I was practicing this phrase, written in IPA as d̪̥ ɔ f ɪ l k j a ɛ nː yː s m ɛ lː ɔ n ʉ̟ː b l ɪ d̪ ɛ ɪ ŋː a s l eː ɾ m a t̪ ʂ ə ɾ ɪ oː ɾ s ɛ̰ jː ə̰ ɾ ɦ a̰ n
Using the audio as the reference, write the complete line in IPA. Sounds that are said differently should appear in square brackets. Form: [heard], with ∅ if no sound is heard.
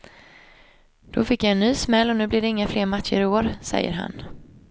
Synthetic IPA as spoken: d̪̥ ɔ f ɪ [∅] k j a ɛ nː yː s m ɛ lː ɔ n ʉ̟ː b l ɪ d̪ ɛ ɪ ŋː a [f] l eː ɾ m a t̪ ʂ ə ɾ ɪ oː ɾ s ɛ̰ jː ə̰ ɾ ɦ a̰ n